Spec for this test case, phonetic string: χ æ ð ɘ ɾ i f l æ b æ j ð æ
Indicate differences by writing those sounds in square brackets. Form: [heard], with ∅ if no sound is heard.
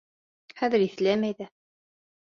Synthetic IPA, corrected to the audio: χ æ ð ɘ ɾ i [θ] l æ [m] æ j ð æ